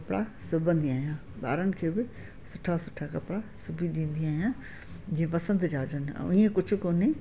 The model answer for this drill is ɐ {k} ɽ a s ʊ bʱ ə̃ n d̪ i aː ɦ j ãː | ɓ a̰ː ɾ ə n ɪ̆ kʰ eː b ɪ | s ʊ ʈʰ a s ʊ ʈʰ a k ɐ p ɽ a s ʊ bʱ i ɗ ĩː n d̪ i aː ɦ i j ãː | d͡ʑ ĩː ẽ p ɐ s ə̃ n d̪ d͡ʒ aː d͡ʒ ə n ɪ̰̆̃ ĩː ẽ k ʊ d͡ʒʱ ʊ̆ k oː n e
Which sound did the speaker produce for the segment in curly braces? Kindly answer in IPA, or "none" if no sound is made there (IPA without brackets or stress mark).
p